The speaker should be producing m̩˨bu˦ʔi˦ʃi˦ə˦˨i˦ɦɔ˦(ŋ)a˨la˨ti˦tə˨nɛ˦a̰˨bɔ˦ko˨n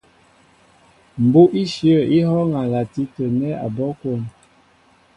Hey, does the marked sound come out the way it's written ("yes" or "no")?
yes